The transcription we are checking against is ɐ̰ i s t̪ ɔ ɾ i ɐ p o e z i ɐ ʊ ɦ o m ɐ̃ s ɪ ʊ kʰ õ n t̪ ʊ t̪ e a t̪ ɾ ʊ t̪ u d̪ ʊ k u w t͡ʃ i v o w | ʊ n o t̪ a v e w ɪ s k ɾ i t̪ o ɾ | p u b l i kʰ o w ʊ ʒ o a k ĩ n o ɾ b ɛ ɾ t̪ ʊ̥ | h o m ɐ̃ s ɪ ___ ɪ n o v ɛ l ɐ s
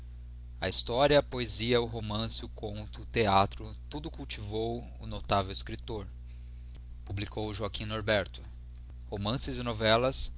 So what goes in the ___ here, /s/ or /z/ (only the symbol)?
z